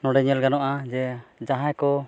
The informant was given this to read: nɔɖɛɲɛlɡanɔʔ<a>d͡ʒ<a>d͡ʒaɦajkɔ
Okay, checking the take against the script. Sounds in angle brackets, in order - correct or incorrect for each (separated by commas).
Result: correct, incorrect